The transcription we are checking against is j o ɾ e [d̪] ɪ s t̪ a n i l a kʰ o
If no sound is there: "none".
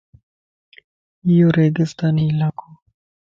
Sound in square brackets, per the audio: d̪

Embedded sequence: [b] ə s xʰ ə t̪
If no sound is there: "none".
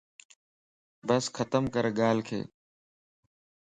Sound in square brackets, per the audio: b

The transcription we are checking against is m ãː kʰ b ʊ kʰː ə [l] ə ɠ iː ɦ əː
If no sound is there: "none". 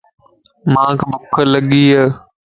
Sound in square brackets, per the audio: l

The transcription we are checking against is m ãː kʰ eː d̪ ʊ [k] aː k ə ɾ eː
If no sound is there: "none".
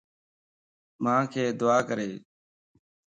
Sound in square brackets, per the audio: none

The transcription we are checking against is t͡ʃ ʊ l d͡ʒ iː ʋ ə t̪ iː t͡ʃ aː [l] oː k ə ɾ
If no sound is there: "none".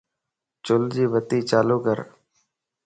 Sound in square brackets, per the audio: l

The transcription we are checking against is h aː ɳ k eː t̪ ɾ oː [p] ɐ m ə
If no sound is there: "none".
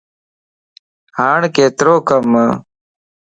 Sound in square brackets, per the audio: k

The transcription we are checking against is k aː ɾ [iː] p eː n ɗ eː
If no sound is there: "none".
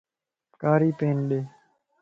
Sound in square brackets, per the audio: iː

